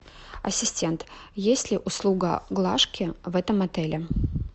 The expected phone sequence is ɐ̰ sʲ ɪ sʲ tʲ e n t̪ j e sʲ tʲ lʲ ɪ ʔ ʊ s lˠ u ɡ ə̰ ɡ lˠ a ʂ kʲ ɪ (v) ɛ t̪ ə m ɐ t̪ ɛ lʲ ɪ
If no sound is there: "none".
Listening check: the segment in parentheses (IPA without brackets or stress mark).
v